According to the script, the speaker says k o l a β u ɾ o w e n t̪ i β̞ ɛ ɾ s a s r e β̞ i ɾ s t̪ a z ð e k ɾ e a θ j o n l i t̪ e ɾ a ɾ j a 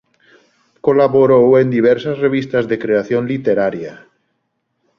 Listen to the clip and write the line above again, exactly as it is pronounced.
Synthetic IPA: k o l a β o ɾ o w e n d̪ i β̞ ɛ ɾ s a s r e β̞ i s t̪ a z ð e k ɾ e a θ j o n l i t̪ e ɾ a ɾ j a